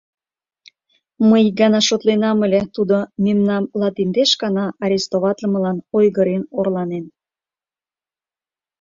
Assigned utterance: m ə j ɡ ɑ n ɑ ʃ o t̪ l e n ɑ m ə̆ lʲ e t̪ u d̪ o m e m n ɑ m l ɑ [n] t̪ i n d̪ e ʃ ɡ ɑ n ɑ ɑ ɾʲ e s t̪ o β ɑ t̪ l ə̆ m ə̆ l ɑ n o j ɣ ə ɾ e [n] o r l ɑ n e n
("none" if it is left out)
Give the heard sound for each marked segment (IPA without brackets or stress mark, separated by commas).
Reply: none, n